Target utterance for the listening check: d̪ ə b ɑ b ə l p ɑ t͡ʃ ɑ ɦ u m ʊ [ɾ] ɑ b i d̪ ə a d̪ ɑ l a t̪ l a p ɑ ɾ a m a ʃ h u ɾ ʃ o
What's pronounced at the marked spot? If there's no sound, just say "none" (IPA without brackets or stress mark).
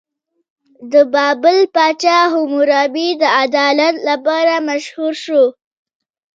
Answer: ɾ